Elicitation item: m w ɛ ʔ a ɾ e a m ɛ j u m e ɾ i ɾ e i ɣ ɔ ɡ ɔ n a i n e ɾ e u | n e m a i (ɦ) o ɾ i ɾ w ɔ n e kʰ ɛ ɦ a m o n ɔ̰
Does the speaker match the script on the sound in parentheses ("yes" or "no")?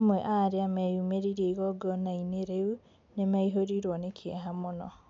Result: yes